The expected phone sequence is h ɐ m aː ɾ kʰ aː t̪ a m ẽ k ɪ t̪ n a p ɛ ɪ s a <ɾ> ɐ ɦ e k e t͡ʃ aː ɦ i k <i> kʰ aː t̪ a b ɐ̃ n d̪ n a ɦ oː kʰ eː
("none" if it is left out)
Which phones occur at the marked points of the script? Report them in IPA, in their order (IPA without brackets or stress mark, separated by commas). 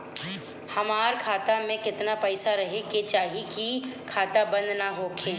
ɾ, i